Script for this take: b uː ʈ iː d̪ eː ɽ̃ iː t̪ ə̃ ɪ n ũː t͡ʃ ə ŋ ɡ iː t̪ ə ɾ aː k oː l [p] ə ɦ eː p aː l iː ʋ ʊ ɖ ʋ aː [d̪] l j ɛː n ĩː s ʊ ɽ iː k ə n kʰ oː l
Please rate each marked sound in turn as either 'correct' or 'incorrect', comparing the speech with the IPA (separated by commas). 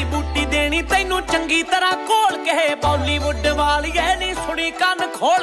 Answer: incorrect, incorrect